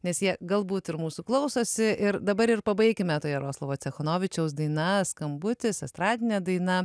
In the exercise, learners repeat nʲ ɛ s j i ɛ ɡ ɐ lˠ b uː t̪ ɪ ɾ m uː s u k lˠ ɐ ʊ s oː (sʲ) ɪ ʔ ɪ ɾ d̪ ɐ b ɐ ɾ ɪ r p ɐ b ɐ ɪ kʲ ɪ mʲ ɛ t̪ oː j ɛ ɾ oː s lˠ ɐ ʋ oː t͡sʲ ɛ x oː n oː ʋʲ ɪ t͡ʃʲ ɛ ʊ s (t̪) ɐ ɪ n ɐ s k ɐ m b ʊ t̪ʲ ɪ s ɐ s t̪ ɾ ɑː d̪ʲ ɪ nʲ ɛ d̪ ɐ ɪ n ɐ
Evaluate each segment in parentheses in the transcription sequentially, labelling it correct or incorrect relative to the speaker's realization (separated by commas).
correct, incorrect